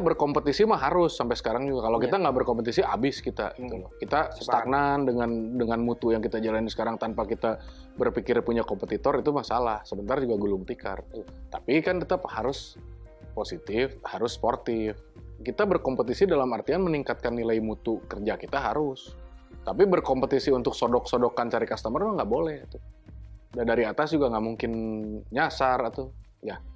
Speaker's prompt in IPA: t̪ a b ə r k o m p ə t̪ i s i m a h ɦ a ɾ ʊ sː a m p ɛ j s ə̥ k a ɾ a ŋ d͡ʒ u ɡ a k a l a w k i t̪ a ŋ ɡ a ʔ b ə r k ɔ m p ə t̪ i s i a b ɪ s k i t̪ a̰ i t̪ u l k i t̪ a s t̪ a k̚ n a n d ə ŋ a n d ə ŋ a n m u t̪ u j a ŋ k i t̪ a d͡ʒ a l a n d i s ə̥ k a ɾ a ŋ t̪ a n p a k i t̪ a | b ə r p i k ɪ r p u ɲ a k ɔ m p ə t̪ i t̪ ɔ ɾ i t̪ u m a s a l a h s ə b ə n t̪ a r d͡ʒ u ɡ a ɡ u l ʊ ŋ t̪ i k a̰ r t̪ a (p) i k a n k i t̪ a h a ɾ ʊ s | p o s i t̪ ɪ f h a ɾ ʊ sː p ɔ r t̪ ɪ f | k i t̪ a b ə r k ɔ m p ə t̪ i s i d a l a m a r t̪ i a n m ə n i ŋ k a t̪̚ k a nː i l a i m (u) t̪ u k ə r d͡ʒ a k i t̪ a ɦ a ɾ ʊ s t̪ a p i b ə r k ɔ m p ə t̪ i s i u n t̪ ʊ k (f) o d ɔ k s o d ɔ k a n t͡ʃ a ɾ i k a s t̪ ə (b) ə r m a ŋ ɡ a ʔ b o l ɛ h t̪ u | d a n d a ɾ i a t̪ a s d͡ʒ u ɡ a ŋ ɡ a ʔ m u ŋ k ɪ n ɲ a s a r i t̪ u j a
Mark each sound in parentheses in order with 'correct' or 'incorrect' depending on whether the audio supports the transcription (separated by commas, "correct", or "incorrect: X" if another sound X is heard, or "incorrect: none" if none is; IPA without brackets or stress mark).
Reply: correct, correct, incorrect: s, incorrect: m